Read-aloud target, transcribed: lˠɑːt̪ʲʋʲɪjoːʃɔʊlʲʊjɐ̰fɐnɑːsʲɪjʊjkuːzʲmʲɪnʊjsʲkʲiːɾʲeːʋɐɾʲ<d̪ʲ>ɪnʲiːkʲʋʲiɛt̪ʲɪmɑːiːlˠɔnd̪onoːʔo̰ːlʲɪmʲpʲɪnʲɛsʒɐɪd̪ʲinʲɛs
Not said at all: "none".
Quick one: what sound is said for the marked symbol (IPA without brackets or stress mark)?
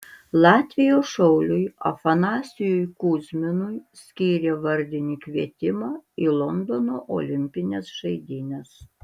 d̪ʲ